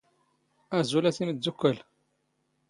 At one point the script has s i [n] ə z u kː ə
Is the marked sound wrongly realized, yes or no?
yes